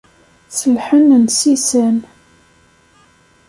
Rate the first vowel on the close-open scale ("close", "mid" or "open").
mid